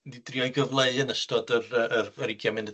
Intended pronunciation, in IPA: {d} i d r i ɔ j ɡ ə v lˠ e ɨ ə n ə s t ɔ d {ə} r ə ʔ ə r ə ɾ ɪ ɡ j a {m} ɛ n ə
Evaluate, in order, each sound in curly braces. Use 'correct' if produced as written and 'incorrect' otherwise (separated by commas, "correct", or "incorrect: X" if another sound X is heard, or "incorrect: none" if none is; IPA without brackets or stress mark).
correct, correct, correct